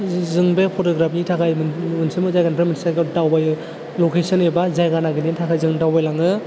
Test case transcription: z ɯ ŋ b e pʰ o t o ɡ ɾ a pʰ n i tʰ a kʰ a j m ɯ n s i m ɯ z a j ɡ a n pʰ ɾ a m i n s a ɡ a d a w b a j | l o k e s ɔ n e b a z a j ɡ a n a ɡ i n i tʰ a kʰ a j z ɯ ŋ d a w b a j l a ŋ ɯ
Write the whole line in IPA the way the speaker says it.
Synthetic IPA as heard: z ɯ ŋ b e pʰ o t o ɡ ɾ a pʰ n i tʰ a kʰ a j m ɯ n s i m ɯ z a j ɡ a n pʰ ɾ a m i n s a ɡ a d a w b a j | l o k e s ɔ n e b a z a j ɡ a n a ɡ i n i tʰ a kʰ a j z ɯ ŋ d a w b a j l a ŋ ɯ